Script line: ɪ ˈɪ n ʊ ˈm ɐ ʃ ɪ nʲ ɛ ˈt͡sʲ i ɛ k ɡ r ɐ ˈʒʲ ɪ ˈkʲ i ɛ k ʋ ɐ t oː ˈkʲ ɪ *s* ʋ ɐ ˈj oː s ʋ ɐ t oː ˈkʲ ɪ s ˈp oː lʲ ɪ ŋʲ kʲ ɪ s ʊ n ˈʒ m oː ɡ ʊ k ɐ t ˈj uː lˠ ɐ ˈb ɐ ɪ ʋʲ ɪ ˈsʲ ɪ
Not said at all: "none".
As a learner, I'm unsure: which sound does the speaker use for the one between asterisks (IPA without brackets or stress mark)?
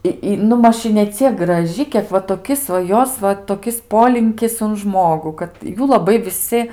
s